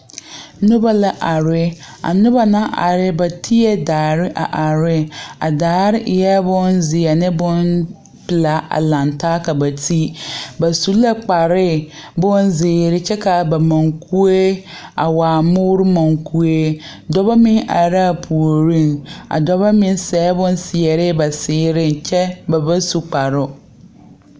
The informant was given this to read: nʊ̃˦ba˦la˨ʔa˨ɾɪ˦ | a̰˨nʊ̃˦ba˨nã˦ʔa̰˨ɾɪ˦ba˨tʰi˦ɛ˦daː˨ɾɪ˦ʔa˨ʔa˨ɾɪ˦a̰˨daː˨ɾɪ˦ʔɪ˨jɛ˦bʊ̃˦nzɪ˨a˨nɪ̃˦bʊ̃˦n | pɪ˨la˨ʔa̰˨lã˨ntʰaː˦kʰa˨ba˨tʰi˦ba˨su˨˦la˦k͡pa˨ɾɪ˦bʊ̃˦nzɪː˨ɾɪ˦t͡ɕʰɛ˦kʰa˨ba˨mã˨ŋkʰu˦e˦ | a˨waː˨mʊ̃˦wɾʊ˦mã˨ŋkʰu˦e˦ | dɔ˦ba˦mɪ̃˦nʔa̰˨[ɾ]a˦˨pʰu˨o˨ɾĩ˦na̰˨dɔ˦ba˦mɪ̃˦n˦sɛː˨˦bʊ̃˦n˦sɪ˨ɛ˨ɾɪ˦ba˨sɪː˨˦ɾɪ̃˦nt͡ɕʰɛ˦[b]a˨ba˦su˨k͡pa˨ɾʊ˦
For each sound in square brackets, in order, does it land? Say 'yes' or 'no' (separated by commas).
yes, yes